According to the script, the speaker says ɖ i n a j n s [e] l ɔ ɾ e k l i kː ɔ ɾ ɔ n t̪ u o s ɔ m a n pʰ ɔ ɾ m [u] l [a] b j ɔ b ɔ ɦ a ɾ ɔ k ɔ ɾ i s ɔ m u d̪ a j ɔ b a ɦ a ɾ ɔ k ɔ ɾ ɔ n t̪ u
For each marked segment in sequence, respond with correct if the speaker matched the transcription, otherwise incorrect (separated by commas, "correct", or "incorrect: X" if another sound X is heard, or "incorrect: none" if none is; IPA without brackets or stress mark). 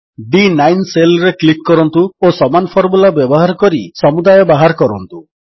correct, correct, correct